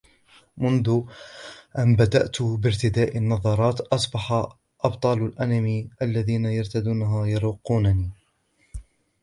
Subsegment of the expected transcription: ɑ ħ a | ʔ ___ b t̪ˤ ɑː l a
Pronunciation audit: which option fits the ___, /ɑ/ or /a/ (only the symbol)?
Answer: ɑ